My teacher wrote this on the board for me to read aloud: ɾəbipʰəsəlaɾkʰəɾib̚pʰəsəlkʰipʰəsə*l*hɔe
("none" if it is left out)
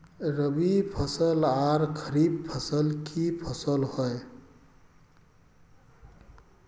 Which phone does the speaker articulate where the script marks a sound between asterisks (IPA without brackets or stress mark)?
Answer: l